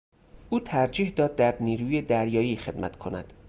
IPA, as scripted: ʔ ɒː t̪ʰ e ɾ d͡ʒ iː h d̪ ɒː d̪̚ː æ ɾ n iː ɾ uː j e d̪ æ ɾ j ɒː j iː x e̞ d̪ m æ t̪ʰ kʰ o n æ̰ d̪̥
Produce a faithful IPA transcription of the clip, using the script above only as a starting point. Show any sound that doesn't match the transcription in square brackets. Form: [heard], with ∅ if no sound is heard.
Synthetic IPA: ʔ [uː] t̪ʰ [æ] ɾ d͡ʒ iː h d̪ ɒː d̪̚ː æ ɾ n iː ɾ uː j e d̪ æ ɾ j ɒː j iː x e̞ d̪ m æ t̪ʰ kʰ o n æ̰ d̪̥